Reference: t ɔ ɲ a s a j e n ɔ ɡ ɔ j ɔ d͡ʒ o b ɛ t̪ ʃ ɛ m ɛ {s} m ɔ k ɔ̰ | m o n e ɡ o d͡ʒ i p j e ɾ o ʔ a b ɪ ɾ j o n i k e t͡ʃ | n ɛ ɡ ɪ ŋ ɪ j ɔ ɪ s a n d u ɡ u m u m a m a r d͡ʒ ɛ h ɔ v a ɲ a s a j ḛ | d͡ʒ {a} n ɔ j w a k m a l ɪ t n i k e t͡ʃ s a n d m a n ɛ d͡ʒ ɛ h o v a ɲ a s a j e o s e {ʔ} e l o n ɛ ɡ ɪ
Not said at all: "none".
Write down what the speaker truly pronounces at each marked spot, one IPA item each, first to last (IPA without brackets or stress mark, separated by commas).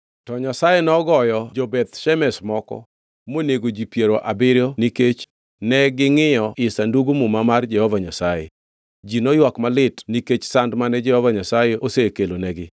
s, i, k